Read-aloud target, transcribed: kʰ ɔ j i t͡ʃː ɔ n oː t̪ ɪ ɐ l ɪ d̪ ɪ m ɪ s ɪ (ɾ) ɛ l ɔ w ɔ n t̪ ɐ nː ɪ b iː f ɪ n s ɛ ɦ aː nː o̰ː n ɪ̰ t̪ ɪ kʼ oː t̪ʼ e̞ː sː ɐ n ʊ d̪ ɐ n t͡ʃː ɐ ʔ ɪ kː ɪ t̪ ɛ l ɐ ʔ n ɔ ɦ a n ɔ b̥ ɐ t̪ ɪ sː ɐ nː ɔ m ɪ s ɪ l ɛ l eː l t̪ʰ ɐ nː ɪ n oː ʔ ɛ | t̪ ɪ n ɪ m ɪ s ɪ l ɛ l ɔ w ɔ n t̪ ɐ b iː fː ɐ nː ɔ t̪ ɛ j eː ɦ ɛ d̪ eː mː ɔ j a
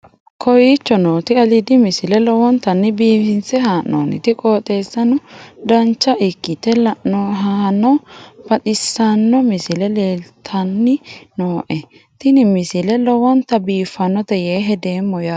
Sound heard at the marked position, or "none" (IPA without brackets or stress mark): l